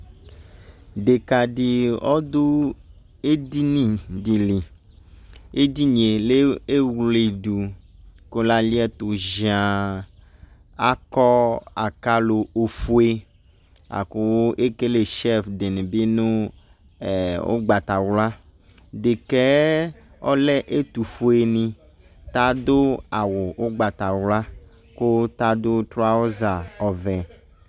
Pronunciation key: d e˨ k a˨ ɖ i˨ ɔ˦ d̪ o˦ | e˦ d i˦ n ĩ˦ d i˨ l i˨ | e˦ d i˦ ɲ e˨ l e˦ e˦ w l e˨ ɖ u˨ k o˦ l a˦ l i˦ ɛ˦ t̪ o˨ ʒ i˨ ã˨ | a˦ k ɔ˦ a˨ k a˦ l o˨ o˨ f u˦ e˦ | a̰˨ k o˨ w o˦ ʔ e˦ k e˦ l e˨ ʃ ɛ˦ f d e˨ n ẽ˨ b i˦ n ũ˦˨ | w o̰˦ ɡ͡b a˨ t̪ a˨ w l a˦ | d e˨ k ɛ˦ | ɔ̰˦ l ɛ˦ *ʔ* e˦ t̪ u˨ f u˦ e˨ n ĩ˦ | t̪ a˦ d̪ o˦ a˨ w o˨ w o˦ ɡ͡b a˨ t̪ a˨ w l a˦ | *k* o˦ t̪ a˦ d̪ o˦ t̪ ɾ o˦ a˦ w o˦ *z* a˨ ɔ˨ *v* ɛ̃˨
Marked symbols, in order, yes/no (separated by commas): yes, yes, yes, yes